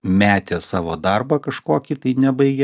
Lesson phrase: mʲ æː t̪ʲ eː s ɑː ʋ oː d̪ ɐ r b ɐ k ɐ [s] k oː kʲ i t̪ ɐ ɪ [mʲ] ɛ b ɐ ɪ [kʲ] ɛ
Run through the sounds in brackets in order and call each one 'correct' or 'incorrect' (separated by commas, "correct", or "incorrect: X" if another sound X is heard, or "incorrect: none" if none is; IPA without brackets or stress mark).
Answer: incorrect: ʃ, incorrect: nʲ, incorrect: ɡʲ